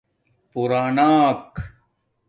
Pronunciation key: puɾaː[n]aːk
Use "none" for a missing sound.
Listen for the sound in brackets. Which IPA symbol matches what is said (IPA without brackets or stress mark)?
n